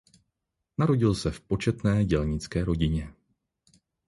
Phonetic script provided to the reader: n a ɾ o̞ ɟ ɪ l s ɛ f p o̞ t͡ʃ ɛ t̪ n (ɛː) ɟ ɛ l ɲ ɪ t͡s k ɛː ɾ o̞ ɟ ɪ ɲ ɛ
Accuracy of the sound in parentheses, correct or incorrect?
correct